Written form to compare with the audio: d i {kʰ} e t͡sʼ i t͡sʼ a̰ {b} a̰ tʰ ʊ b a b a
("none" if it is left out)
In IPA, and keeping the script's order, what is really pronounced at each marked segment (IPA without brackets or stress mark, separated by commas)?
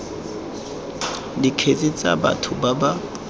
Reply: kʰ, b